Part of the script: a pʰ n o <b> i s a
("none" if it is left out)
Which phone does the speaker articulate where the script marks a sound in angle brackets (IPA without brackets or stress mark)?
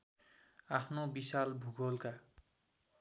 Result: b